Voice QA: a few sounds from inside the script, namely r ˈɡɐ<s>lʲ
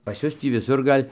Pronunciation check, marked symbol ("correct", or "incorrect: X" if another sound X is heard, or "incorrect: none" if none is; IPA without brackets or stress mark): incorrect: none